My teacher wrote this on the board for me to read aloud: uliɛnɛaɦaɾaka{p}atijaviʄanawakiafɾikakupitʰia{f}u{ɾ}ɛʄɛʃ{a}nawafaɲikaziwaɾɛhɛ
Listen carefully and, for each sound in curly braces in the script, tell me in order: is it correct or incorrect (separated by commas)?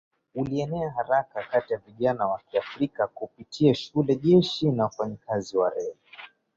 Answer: incorrect, incorrect, incorrect, incorrect